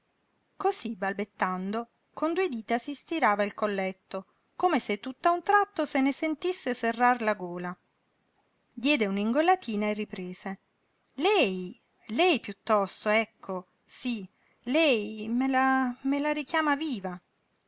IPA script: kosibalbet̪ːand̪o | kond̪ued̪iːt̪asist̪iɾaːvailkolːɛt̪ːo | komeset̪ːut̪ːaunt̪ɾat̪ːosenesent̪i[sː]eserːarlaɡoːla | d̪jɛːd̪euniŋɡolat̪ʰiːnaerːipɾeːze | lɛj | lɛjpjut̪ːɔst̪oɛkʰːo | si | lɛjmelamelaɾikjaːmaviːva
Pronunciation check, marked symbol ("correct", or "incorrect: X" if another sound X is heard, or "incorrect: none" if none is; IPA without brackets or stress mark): correct